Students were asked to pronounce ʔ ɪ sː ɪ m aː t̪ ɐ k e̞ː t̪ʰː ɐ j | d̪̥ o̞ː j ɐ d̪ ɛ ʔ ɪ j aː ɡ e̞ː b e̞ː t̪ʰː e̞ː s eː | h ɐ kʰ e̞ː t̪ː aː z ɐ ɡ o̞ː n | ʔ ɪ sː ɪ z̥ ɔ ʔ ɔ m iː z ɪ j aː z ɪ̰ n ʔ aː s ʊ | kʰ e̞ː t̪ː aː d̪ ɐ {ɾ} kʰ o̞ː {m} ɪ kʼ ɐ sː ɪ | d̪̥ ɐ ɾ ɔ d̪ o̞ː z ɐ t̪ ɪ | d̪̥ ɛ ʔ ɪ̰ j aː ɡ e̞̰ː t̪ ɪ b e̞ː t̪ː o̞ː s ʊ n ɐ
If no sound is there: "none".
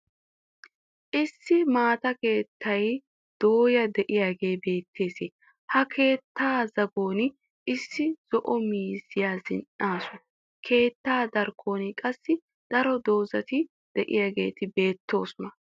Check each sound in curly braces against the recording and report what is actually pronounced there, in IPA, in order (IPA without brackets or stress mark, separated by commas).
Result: ɾ, n